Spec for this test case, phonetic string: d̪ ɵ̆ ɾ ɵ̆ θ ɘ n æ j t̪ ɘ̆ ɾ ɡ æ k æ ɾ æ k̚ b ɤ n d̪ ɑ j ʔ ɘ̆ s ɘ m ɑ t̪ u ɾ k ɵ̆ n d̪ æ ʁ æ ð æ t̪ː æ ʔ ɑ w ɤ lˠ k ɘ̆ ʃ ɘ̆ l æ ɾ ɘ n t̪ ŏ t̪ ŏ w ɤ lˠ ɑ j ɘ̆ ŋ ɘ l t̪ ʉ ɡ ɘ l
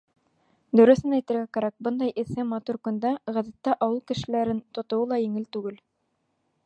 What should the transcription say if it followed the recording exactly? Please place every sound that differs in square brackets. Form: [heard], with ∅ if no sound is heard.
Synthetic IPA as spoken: d̪ ɵ̆ ɾ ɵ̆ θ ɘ n æ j t̪ ɘ̆ ɾ ɡ æ k æ ɾ æ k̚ b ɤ n d̪ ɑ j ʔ ɘ̆ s ɘ m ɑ t̪ u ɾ k ɵ̆ n d̪ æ ʁ æ ð æ t̪ː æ ʔ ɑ w ɤ lˠ k ɘ̆ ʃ ɘ̆ l æ ɾ ɘ n t̪ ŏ t̪ ŏ w ɤ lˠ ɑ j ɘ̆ ŋ ɘ l t̪ ʉ ɡ ɘ l

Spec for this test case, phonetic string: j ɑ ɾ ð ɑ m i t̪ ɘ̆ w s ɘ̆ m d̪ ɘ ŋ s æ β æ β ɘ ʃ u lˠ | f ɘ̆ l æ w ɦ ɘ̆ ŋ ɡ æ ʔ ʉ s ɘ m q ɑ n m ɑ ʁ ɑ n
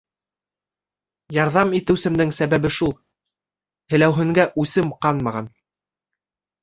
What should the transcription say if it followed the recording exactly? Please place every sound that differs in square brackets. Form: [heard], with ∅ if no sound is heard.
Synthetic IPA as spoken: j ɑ ɾ ð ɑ m i t̪ ɘ̆ w s ɘ̆ m d̪ ɘ ŋ s æ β æ β ɘ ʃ u lˠ | [h] ɘ̆ l æ w ɦ ɘ̆ ŋ ɡ æ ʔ ʉ s ɘ m q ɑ n m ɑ ʁ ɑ n

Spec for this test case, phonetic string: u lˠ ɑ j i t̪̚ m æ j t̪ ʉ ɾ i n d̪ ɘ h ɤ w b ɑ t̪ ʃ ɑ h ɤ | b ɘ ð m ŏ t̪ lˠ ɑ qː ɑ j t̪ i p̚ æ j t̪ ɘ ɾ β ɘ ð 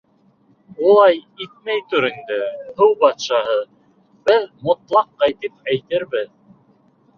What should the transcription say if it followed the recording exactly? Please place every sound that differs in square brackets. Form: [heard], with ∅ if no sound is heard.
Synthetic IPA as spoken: u lˠ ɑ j i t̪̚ m æ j t̪ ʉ ɾ i n d̪ ɘ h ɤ w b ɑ t̪ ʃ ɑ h ɤ | b ɘ ð m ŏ t̪ lˠ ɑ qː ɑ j t̪ i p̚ æ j t̪ ɘ ɾ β ɘ ð

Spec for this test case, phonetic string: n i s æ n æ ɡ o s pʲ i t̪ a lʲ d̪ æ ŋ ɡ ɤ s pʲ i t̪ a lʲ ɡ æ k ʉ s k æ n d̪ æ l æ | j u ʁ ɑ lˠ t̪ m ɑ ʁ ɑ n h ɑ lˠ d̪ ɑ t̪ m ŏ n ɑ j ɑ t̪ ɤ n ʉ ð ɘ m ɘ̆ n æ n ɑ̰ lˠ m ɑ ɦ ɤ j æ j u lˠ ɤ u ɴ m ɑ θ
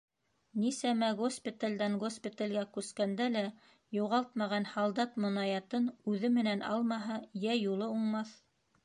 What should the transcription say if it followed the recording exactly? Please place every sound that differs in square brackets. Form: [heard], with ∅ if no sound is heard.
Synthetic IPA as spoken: n i s æ [m] æ ɡ o s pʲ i t̪ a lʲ d̪ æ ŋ ɡ [o] s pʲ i t̪ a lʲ ɡ æ k ʉ s k æ n d̪ æ l æ | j u ʁ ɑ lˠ t̪ m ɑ ʁ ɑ n h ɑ lˠ d̪ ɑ t̪ m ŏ n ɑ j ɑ t̪ ɤ n ʉ ð ɘ m ɘ̆ n æ n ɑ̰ lˠ m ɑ ɦ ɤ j æ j u lˠ ɤ u ɴ m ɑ θ

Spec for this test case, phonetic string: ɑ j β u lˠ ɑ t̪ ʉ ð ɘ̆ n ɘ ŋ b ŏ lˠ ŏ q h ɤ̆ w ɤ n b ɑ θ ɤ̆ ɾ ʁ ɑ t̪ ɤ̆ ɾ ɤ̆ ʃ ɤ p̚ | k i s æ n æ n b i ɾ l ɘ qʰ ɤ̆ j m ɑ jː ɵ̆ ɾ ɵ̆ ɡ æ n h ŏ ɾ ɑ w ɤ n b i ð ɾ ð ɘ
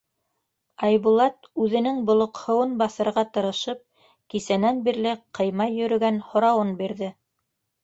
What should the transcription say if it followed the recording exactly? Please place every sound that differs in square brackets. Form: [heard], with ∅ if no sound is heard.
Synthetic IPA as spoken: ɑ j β u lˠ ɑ t̪ ʉ ð ɘ̆ n ɘ ŋ b ŏ lˠ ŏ q h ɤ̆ w ɤ n b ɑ θ ɤ̆ ɾ ʁ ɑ t̪ ɤ̆ ɾ ɤ̆ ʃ ɤ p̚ | k i s æ n æ n b i ɾ l ɘ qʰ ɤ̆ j m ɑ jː ɵ̆ ɾ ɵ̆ ɡ æ n h ŏ ɾ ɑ w ɤ n b i [∅] ɾ ð ɘ

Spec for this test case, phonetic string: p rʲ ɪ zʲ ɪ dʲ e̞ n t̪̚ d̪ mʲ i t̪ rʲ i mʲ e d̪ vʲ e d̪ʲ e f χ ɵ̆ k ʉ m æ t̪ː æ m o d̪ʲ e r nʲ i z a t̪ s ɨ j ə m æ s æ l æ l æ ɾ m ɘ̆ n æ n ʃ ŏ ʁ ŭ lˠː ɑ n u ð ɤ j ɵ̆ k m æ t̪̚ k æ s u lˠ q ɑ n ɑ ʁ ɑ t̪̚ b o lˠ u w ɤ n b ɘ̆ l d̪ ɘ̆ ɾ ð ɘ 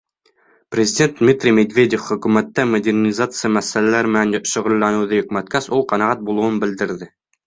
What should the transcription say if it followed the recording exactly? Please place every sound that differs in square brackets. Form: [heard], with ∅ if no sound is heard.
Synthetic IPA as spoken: p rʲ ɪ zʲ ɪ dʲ e̞ n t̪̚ d̪ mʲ i t̪ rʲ i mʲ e d̪ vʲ e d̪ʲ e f χ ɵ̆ k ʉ m æ t̪ː æ m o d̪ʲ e r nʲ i z a t̪ s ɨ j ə m æ s æ l æ l æ ɾ m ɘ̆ n æ n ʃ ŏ ʁ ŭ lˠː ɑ n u ð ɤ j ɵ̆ k m æ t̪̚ k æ s u lˠ q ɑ n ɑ ʁ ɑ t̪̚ b [u] lˠ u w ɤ n b ɘ̆ l d̪ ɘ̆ ɾ ð ɘ

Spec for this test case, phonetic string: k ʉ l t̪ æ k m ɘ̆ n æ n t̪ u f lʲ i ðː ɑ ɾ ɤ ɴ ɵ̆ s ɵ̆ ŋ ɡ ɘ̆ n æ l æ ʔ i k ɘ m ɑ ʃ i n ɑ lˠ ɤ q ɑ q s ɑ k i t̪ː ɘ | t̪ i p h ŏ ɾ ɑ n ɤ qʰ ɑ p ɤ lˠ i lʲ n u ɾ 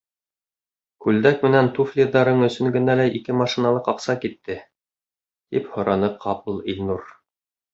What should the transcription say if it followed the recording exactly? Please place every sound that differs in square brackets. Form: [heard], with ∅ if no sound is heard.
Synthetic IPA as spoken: k ʉ l [d̪] æ k m ɘ̆ n æ n t̪ u f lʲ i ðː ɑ ɾ ɤ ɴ ɵ̆ s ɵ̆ ŋ ɡ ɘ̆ n æ l æ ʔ i k ɘ m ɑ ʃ i n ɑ lˠ ɤ q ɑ q s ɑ k i t̪ː ɘ | t̪ i p h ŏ ɾ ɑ n ɤ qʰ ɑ p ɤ lˠ i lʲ n u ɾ

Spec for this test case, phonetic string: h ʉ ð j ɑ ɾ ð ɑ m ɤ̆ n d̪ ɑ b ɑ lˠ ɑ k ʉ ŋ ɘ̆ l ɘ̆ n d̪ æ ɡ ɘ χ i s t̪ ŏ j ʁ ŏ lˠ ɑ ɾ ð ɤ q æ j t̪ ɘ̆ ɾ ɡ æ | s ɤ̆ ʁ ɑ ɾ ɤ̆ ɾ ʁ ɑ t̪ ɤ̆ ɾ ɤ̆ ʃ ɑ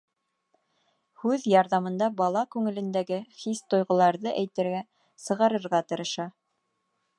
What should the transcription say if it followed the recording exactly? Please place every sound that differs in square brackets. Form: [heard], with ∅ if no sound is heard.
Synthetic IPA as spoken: h ʉ ð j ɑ ɾ ð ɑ m ɤ̆ n d̪ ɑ b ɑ lˠ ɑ k ʉ ŋ ɘ̆ l ɘ̆ n d̪ æ ɡ ɘ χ i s t̪ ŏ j ʁ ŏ lˠ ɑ ɾ ð ɤ [ʔ] æ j t̪ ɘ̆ ɾ ɡ æ | s ɤ̆ ʁ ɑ ɾ ɤ̆ ɾ ʁ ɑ t̪ ɤ̆ ɾ ɤ̆ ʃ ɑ

